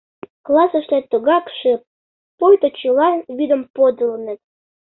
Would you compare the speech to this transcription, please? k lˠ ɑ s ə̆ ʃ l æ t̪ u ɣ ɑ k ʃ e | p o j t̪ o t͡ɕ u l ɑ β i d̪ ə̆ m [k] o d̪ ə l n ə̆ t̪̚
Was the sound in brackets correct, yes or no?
no